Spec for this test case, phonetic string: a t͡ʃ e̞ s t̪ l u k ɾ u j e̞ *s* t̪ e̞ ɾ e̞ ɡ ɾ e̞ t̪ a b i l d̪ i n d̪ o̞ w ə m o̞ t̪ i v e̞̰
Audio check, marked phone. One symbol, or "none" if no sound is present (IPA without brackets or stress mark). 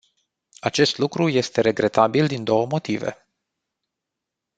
s